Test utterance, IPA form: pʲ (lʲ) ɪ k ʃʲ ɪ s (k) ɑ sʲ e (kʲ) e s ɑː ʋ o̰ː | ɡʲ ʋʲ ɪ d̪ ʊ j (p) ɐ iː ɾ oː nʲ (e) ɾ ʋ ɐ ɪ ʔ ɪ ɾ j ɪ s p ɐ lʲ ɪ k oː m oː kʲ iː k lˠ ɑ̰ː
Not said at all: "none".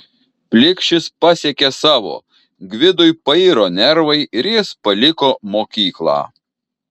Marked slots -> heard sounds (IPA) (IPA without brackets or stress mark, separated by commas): lʲ, p, kʲ, p, ɛ